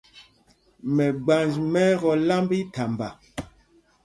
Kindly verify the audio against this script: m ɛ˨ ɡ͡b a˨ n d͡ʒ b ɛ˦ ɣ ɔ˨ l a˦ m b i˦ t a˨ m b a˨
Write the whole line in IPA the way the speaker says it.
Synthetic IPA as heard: m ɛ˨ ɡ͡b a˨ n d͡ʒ m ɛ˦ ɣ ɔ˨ l a˦ m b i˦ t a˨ m b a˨